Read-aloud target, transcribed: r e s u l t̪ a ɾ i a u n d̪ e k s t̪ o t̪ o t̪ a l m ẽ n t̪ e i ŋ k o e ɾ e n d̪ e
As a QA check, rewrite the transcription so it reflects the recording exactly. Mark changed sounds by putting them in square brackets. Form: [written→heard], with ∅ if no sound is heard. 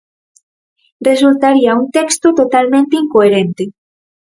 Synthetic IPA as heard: r e s u l t̪ a ɾ i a u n [d̪→t̪] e k s t̪ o t̪ o t̪ a l m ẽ n t̪ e i ŋ k o e ɾ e n [d̪→t̪] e